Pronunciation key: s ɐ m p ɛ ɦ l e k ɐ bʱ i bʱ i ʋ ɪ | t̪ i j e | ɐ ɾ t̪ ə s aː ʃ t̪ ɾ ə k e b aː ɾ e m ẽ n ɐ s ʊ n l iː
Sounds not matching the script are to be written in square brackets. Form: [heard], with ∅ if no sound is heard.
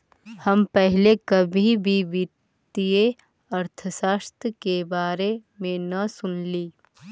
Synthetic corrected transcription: [h] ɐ m p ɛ ɦ l e k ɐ bʱ i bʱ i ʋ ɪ | t̪ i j e | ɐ ɾ [t̪ʰ] ə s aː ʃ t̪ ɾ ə k e b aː ɾ e m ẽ n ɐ s ʊ n l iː